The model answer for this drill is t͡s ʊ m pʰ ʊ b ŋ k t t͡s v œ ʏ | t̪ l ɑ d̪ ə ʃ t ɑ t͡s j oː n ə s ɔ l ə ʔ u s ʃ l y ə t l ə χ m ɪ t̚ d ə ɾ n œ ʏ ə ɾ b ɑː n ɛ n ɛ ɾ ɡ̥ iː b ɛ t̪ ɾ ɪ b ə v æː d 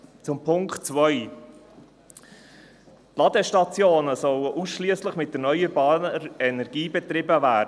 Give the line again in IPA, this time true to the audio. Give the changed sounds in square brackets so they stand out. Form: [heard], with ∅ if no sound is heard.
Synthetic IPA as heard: t͡s ʊ m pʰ ʊ [∅] ŋ k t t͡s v œ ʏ | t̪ l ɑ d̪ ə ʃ t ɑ t͡s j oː n ə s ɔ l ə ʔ u s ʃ l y ə [s] l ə χ m ɪ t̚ d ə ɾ n œ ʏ ə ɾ b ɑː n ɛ n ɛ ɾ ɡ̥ iː b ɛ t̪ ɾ ɪ b ə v æː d